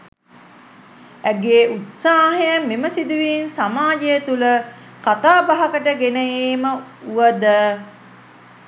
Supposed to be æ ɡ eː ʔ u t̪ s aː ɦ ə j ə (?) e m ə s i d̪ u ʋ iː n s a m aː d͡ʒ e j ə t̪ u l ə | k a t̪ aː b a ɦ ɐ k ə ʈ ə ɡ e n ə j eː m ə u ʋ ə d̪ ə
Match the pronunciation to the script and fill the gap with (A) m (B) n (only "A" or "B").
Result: A